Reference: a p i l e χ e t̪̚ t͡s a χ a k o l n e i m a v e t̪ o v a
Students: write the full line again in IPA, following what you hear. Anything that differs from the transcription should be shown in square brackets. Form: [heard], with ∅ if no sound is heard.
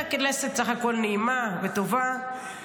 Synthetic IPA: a [k] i l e [s] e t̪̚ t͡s a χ a k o l n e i m a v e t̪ o v a